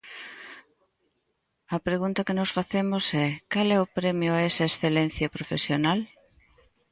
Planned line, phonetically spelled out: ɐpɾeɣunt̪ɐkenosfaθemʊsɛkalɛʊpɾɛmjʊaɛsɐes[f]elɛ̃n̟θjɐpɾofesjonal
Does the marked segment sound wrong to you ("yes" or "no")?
yes